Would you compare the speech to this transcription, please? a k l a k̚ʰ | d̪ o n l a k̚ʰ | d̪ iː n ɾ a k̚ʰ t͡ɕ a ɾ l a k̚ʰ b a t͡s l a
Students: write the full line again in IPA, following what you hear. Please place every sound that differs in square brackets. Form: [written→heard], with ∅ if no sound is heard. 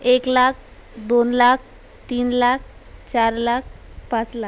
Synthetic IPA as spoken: [a→e] k l a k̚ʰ | d̪ o n l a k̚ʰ | [d̪→t̪] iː n [ɾ→l] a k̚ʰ t͡ɕ a ɾ l a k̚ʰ [b→p] a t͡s l a